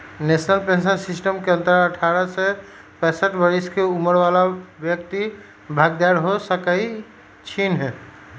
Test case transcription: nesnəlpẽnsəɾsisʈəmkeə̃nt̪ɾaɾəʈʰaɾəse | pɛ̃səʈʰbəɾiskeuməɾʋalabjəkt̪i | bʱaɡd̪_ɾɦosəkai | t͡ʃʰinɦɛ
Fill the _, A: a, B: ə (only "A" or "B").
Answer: A